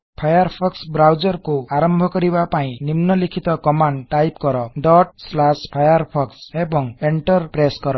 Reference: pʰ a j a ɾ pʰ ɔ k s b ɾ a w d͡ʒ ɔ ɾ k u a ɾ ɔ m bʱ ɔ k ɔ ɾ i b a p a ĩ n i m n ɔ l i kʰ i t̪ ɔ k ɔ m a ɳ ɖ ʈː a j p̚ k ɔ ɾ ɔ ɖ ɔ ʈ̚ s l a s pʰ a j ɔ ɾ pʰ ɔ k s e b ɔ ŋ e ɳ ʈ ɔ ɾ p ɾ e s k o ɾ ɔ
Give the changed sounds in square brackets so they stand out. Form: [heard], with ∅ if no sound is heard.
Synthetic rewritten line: pʰ a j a ɾ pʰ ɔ k s b ɾ a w d͡ʒ ɔ ɾ k u a ɾ ɔ m bʱ ɔ k ɔ ɾ i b a p a ĩ n i m n ɔ l i kʰ i t̪ ɔ k ɔ m a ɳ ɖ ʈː a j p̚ k ɔ ɾ ɔ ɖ ɔ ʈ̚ s l a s pʰ a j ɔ ɾ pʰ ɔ k s e b ɔ ŋ e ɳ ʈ ɔ ɾ p ɾ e s k [ɔ] ɾ ɔ

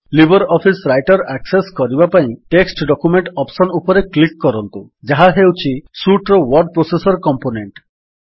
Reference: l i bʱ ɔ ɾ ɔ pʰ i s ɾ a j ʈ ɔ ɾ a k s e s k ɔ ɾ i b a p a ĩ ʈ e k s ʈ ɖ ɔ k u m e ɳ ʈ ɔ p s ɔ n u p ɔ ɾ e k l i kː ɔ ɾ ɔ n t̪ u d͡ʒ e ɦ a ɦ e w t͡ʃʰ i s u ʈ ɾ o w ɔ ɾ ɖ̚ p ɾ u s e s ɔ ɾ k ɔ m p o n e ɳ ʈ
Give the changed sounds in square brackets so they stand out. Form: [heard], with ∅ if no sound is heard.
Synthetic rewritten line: l i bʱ ɔ ɾ ɔ pʰ i s ɾ a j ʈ ɔ ɾ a k s e s k ɔ ɾ i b a p a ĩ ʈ e k s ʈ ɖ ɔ k u m e ɳ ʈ ɔ p s ɔ n u p ɔ ɾ e k l i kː ɔ ɾ ɔ n t̪ u d͡ʒ [a] ɦ a ɦ e w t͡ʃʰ i s u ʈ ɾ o w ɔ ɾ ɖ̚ p ɾ [o] s e s ɔ ɾ k ɔ m p o n e ɳ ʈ

